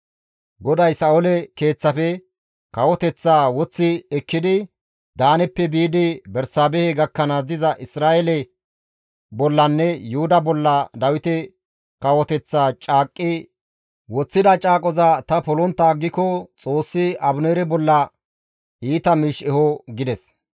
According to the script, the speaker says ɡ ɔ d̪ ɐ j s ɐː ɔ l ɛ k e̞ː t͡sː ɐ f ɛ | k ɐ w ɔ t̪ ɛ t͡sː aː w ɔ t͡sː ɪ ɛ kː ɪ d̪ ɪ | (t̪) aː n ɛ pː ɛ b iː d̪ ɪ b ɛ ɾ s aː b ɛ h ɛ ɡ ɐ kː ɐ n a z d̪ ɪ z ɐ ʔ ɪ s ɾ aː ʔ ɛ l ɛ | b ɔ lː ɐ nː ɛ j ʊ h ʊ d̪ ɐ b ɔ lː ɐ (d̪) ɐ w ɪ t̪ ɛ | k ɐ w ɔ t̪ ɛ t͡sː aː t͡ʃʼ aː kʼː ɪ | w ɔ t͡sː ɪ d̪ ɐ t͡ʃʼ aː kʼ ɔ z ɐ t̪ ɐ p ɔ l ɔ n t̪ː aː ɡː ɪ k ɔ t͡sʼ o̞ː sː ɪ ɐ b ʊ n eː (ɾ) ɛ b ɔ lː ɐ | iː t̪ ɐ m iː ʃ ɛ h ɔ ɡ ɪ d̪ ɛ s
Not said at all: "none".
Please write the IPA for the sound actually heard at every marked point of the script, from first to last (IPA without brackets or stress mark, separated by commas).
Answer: d̪, d̪, ɾ